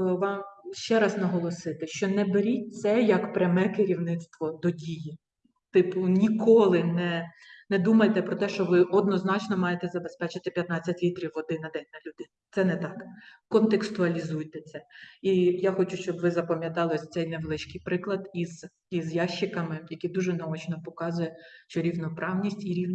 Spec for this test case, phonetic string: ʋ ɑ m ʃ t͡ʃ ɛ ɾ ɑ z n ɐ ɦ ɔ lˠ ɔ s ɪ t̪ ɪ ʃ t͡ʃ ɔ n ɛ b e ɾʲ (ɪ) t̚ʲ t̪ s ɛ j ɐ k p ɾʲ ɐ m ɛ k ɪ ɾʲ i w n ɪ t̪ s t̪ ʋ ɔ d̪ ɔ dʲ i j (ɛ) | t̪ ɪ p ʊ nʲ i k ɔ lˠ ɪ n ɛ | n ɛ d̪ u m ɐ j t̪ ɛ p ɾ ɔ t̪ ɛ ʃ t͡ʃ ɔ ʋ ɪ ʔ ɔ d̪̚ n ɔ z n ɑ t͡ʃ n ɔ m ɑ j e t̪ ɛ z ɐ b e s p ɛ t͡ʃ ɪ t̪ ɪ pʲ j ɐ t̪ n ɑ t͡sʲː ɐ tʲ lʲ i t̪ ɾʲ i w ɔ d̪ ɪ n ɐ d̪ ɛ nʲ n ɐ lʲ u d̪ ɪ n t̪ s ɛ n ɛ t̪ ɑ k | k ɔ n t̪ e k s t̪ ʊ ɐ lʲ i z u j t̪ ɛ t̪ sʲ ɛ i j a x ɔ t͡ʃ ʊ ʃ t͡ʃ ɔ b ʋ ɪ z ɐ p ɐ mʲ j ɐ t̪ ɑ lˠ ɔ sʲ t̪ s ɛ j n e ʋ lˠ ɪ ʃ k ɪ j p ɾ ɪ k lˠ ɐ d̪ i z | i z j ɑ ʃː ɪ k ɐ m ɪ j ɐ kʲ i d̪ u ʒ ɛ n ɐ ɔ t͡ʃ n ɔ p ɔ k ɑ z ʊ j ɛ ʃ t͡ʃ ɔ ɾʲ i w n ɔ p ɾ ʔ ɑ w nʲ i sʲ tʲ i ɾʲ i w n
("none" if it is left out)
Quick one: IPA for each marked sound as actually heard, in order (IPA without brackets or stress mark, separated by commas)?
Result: i, i